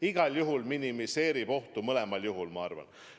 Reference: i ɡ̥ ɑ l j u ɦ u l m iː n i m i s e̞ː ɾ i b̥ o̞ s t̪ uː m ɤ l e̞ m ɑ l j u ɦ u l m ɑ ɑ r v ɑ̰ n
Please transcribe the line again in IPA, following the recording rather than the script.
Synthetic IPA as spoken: i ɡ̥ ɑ l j u ɦ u l m i n i m i s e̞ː ɾ i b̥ o̞ h t̪ u m ɤ l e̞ m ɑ l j u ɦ u l m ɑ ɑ r v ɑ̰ n